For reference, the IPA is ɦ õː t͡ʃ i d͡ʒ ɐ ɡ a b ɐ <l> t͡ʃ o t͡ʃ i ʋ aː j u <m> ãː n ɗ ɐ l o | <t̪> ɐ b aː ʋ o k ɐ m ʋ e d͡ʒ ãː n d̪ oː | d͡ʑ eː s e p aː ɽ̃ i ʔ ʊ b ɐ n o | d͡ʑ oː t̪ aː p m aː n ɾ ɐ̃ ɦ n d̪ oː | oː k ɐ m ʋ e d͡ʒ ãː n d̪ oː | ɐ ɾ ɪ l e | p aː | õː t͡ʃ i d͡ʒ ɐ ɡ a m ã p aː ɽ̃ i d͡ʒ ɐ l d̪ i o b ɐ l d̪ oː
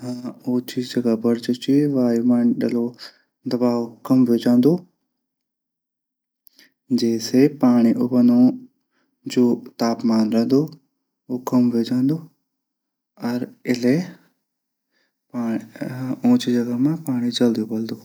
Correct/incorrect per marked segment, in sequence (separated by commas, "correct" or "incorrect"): incorrect, correct, incorrect